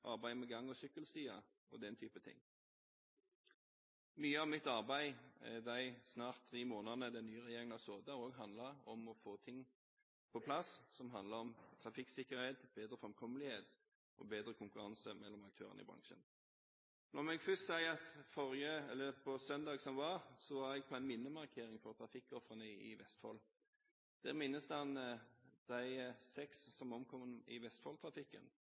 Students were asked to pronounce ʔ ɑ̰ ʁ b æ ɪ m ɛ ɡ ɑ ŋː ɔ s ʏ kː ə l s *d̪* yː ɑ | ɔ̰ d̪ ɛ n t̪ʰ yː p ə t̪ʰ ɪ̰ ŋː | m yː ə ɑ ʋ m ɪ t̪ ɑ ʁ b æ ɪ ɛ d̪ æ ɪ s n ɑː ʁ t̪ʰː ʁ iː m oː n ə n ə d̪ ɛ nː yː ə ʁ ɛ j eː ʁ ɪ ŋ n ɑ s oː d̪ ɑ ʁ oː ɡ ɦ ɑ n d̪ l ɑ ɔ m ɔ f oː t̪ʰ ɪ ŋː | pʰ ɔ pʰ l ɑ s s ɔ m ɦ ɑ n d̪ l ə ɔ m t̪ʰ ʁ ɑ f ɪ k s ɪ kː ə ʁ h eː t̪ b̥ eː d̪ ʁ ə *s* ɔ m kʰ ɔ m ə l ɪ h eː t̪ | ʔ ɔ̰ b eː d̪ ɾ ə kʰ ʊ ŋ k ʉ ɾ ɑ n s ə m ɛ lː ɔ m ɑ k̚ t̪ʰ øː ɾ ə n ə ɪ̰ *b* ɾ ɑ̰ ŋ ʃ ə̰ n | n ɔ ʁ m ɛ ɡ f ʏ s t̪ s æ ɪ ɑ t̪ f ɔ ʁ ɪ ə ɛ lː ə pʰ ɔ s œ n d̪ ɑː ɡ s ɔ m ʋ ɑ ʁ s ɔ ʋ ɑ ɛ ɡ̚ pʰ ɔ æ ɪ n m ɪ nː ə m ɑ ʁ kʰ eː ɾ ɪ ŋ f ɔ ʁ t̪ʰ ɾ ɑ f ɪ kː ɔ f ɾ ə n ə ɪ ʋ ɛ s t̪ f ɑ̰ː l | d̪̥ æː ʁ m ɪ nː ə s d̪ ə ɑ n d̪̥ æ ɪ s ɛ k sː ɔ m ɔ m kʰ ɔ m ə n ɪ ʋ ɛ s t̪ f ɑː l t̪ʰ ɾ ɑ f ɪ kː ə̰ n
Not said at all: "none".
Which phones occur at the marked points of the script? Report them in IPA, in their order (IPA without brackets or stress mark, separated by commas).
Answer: t̪, f, b